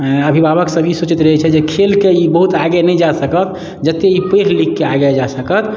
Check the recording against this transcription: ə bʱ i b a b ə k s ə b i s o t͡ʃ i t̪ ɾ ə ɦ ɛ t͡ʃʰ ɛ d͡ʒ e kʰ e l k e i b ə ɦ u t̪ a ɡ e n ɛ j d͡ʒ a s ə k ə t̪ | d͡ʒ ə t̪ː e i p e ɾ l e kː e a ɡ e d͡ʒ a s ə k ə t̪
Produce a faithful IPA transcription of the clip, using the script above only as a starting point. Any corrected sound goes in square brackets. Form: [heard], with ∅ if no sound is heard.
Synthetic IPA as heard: ə bʱ i b a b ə k s ə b i s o t͡ʃ i t̪ ɾ ə ɦ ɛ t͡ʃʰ ɛ d͡ʒ e kʰ e l k e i b ə ɦ u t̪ a ɡ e n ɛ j d͡ʒ a s ə k ə t̪ | d͡ʒ ə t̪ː e i p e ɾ l [i] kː e a ɡ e d͡ʒ a s ə k ə t̪